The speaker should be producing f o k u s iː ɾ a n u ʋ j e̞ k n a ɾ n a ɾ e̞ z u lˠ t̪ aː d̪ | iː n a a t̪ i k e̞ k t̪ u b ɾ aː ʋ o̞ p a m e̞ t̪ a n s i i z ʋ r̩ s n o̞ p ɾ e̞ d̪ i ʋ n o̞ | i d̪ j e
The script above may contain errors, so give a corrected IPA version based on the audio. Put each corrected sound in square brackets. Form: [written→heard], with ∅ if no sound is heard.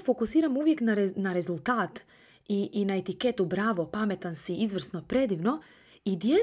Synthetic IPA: f o k u s iː ɾ a [n→m] u ʋ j e̞ k n a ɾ n a ɾ e̞ z u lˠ t̪ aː [d̪→t̪] | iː n a [a→e] t̪ i k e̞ [k→∅] t̪ u b ɾ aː ʋ o̞ p a m e̞ t̪ a n s i i z ʋ r̩ s n o̞ p ɾ e̞ d̪ i ʋ n o̞ | i d̪ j e